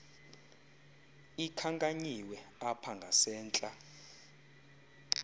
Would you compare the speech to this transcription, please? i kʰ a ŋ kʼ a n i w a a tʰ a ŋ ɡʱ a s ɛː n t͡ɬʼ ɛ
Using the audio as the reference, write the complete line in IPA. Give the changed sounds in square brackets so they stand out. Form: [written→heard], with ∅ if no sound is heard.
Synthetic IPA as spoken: i kʰ a ŋ kʼ a [n→ɲ] i w [a→ɛ] a [tʰ→pʰ] a ŋ ɡʱ a s ɛː n t͡ɬʼ [ɛ→a]

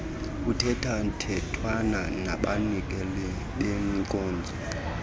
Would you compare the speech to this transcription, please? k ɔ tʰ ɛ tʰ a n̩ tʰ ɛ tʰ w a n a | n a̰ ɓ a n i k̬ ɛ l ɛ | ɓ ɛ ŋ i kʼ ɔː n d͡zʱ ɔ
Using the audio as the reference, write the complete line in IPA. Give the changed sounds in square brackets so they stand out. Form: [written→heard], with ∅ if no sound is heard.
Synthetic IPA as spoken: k [ɔ→u] tʰ ɛ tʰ a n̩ tʰ ɛ tʰ w a n a | n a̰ ɓ a n i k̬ ɛ l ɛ | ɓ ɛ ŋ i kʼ ɔː n d͡zʱ ɔ

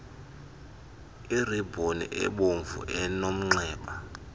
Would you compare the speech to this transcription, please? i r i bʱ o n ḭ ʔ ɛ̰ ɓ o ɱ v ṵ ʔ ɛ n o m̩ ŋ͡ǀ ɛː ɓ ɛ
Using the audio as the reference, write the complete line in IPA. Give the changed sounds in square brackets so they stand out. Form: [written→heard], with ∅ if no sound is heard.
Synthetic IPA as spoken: i r i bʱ o n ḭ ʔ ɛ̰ ɓ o ɱ v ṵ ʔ ɛ n o m̩ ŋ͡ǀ ɛː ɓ [ɛ→a]

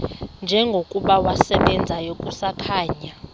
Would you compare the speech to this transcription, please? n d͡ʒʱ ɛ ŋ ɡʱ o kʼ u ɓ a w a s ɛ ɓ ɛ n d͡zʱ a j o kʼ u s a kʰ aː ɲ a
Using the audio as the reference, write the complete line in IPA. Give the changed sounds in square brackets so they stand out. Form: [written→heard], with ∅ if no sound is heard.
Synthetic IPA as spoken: n d͡ʒʱ ɛ ŋ ɡʱ o kʼ u ɓ a w a s ɛ ɓ ɛ n d͡zʱ a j o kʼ u s a kʰ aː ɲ a

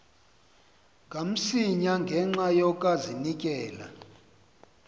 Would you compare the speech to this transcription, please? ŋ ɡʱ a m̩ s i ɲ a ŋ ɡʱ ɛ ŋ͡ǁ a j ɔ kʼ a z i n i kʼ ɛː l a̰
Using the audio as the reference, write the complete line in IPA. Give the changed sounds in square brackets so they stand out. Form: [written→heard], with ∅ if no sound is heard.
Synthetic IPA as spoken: ŋ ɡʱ a m̩ s i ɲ a ŋ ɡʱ ɛ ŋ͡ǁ a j ɔ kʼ a z i n i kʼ ɛː l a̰

